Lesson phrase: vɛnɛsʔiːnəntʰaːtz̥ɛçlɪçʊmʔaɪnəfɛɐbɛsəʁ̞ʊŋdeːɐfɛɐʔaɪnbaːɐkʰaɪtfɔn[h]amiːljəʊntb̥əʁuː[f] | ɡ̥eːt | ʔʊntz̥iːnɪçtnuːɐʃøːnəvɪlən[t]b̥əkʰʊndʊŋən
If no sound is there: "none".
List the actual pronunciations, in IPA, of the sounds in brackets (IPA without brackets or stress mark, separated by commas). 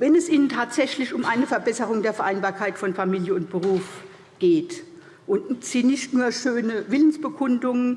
f, f, s